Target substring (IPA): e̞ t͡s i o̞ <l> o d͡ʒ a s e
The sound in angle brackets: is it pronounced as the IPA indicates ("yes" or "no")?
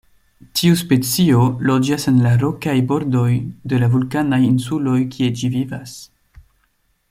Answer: yes